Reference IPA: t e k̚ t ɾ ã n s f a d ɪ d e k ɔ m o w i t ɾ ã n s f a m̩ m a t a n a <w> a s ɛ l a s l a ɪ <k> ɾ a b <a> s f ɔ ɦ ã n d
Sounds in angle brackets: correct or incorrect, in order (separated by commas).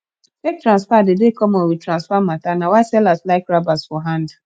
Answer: correct, correct, correct